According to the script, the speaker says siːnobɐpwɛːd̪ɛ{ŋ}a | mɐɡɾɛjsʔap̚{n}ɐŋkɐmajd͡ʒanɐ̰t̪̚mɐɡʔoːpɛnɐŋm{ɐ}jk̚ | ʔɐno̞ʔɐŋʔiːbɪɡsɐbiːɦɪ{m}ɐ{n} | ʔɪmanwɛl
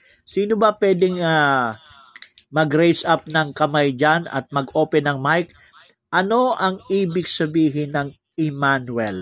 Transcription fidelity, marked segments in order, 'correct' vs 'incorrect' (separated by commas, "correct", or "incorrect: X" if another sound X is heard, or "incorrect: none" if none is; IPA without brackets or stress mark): correct, correct, incorrect: a, incorrect: n, incorrect: ŋ